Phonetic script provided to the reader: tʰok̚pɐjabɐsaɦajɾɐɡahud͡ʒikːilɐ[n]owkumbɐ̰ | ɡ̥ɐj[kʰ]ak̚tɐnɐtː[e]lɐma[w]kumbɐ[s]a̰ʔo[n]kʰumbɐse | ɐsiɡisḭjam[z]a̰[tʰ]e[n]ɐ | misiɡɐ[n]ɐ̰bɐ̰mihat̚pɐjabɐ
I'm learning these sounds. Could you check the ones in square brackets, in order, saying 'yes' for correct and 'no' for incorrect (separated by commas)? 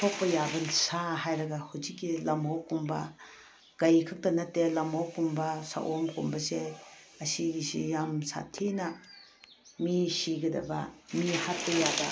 no, yes, yes, yes, yes, no, no, yes, yes, no